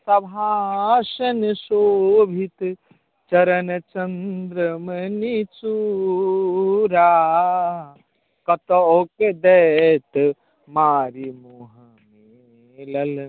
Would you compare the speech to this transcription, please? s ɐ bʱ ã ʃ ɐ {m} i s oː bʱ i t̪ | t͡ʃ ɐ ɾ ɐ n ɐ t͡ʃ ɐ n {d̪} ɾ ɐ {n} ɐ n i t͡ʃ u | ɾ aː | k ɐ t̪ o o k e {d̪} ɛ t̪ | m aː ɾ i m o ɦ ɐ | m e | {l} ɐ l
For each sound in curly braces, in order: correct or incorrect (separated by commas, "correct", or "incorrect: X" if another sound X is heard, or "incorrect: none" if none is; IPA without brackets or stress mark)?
incorrect: n, correct, incorrect: m, correct, correct